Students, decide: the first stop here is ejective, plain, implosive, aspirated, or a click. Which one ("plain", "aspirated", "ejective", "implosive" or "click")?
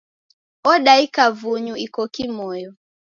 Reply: implosive